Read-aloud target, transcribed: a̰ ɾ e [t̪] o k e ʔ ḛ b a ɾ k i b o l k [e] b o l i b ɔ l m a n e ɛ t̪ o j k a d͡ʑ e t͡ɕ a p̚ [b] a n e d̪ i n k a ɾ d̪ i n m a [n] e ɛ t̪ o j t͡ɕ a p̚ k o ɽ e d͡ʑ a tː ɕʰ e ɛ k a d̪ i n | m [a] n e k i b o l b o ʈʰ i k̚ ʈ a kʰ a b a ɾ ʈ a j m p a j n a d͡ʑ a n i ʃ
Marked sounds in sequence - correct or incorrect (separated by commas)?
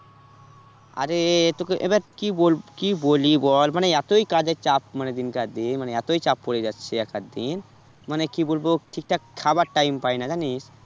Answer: correct, incorrect, incorrect, correct, correct